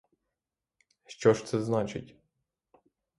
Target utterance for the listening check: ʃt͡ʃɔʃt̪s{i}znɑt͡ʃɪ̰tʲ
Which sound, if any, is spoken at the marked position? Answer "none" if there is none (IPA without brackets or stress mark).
ɛ